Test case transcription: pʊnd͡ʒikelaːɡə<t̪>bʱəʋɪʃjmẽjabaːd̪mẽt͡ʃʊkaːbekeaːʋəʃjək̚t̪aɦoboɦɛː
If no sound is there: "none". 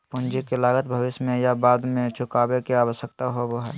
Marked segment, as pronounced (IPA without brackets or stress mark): t̪